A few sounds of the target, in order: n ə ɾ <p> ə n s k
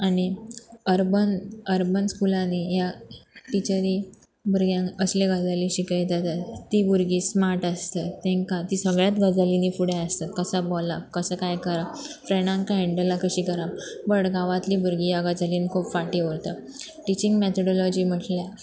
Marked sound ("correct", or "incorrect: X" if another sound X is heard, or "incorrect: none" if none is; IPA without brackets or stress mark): incorrect: b